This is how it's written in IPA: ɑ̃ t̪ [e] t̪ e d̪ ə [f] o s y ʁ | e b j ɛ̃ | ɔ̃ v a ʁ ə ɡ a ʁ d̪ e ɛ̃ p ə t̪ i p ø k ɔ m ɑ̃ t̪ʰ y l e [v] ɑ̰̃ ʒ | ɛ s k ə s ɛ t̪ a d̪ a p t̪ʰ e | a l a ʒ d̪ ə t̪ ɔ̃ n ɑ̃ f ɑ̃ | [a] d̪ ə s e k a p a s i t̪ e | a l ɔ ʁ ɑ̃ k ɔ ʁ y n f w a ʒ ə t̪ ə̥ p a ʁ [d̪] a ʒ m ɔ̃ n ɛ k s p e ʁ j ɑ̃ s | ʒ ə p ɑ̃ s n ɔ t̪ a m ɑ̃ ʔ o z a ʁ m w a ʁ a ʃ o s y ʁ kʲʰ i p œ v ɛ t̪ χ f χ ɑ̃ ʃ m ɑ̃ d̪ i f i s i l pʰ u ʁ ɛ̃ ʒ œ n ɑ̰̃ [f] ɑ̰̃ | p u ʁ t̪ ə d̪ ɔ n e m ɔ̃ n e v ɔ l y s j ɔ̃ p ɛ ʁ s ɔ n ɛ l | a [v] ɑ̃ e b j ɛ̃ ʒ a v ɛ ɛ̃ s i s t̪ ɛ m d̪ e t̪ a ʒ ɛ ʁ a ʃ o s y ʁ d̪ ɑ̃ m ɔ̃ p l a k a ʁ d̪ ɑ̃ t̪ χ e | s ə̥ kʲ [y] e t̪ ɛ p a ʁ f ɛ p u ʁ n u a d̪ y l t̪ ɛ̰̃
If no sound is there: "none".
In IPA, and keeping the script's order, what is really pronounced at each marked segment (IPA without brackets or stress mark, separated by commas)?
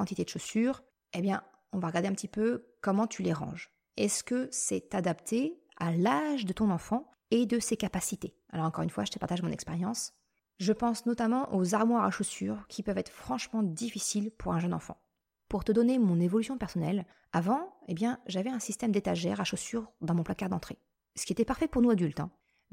i, ʃ, ʁ, e, t̪, f, v, i